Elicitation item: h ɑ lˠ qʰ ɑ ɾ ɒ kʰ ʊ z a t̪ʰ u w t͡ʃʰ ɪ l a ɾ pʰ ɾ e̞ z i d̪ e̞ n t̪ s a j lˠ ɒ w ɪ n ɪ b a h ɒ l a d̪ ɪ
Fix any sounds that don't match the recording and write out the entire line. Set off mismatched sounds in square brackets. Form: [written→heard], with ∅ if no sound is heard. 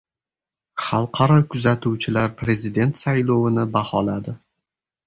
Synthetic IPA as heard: [h→χ] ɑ lˠ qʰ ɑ ɾ ɒ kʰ ʊ z a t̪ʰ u w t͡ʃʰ ɪ l a ɾ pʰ ɾ e̞ z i d̪ e̞ n t̪ s a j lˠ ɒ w ɪ n ɪ b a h ɒ l a d̪ ɪ